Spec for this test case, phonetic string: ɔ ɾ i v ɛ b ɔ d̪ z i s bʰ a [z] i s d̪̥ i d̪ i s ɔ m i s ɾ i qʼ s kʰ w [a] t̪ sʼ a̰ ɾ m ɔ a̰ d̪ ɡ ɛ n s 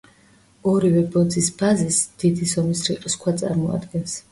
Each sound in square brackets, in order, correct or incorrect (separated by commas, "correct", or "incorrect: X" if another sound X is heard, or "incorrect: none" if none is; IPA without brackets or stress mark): correct, correct